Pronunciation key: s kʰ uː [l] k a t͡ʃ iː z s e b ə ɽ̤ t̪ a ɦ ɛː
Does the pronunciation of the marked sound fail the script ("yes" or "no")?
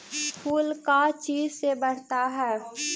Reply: no